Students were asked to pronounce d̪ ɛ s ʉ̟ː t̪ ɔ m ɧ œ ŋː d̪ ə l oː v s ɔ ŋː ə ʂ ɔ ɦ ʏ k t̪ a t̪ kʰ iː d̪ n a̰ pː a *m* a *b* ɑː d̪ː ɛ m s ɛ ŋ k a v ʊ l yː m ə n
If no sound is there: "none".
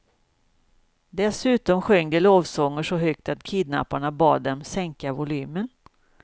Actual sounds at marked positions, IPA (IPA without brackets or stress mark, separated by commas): ɳ, b